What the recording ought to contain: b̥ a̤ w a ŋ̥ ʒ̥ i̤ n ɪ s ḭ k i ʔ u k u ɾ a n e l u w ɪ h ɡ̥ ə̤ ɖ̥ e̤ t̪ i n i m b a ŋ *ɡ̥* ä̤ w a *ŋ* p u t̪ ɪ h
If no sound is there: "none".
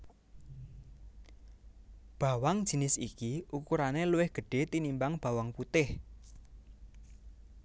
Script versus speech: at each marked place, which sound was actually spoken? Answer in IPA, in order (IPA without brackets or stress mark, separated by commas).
b̥, ŋ